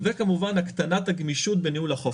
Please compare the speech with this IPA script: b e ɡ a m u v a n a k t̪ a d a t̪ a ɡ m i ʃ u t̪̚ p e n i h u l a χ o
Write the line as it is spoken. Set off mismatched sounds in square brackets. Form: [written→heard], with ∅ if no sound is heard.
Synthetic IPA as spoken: [b→v] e [ɡ→k] a m u v a n a k t̪ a [d→n] a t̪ a ɡ m i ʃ u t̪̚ [p→b] e n i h u l a χ o